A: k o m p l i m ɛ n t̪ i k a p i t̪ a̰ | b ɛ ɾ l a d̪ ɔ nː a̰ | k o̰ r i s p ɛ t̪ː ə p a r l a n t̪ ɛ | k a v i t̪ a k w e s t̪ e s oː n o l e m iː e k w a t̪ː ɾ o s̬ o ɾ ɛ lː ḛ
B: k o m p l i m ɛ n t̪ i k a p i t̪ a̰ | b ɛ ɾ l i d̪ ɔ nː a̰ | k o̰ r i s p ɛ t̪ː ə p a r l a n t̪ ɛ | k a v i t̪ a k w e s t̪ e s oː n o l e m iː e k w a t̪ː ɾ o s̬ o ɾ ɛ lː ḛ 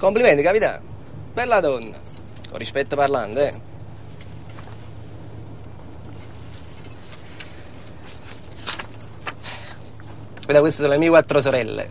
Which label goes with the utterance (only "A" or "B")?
A